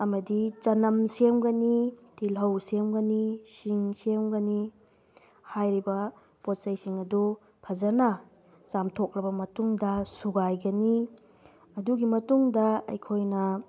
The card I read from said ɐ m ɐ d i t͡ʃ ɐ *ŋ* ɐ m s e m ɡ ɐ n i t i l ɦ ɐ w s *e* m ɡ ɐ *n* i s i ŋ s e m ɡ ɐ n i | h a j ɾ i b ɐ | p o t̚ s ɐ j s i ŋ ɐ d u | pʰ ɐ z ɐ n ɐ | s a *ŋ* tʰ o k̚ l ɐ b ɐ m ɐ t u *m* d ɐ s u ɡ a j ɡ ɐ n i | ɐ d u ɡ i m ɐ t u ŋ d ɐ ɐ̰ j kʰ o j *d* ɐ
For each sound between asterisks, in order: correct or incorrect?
incorrect, correct, correct, incorrect, incorrect, incorrect

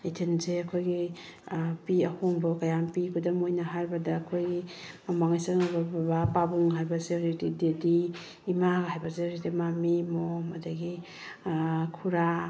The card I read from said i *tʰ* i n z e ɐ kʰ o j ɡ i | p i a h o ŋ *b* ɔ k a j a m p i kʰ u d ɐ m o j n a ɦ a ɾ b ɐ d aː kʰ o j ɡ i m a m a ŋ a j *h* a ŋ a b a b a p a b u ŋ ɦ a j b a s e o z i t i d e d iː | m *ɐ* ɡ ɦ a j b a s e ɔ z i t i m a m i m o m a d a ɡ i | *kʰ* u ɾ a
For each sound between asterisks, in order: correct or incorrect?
correct, correct, incorrect, incorrect, correct

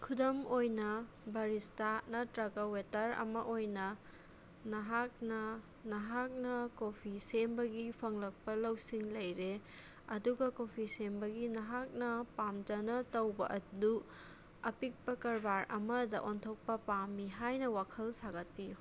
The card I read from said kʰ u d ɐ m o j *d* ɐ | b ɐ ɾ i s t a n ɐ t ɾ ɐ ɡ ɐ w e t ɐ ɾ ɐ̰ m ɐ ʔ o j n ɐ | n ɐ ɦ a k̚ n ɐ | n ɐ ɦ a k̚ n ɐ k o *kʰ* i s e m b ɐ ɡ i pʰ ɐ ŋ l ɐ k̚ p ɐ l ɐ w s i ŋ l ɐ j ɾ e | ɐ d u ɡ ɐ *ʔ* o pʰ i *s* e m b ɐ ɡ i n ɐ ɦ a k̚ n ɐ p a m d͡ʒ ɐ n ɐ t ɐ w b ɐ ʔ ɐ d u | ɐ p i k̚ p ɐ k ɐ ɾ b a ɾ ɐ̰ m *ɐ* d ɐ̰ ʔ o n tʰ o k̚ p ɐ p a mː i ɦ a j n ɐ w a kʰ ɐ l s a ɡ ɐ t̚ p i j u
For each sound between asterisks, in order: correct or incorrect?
incorrect, incorrect, incorrect, correct, correct

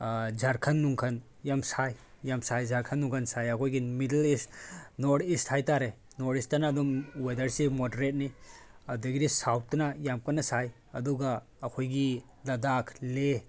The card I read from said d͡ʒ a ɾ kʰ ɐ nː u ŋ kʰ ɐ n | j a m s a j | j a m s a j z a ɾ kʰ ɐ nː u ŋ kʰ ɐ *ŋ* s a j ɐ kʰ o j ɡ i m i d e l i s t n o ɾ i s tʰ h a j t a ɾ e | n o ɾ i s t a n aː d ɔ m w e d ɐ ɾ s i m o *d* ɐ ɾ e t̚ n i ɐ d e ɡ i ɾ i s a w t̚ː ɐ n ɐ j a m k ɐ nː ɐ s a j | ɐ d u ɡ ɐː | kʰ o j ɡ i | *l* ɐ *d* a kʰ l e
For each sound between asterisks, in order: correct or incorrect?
incorrect, correct, correct, correct

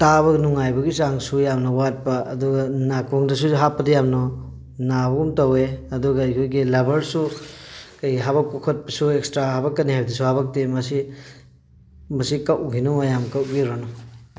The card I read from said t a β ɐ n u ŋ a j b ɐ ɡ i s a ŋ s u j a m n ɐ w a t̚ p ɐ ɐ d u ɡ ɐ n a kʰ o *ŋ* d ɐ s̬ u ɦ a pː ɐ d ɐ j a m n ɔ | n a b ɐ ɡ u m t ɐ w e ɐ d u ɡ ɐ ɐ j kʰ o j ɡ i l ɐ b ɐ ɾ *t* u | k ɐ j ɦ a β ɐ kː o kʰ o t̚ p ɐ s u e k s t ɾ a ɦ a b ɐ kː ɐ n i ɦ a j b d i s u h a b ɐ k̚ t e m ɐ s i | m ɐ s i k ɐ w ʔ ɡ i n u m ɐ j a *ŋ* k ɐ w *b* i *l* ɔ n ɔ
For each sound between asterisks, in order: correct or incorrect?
correct, incorrect, incorrect, incorrect, incorrect

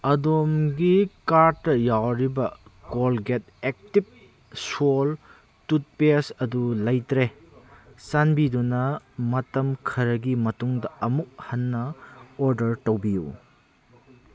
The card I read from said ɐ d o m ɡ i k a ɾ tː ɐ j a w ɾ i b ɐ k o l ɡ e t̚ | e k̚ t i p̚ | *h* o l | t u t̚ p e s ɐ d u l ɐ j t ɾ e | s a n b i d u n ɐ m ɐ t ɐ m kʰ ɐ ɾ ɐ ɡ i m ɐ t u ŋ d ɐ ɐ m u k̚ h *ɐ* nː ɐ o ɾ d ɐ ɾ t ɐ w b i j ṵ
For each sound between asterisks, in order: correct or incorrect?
incorrect, correct

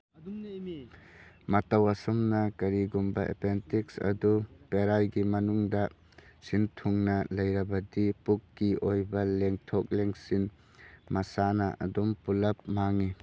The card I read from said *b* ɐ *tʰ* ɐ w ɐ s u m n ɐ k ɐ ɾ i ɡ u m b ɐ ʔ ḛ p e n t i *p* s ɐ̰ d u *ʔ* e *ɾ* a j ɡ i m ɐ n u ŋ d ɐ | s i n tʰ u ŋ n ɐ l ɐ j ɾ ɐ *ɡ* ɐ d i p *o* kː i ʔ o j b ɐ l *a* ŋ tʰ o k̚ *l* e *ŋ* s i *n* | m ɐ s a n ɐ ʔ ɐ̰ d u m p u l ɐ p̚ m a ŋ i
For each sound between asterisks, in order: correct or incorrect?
incorrect, incorrect, incorrect, incorrect, correct, incorrect, incorrect, incorrect, correct, correct, correct

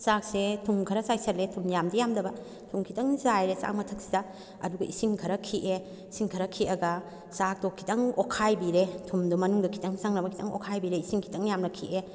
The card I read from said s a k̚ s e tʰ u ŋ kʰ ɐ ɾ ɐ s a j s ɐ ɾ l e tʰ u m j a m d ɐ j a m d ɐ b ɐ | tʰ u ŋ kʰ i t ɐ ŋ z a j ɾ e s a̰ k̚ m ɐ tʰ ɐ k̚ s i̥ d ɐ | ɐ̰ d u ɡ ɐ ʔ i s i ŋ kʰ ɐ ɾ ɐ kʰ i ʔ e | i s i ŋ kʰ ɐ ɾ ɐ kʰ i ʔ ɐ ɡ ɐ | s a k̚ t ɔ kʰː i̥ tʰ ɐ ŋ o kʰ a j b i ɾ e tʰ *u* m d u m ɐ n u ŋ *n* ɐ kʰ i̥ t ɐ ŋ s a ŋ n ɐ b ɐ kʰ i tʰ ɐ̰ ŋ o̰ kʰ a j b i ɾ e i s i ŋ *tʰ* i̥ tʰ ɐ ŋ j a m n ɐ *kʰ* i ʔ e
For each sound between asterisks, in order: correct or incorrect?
correct, incorrect, incorrect, correct

